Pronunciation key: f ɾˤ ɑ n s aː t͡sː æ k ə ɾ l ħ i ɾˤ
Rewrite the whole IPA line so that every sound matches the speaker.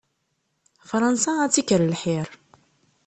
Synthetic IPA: f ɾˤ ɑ n s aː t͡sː i k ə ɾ l ħ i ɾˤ